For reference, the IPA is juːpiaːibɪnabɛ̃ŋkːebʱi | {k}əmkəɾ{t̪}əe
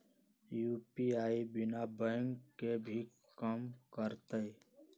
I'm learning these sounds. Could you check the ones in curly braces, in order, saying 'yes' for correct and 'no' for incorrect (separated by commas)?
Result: yes, yes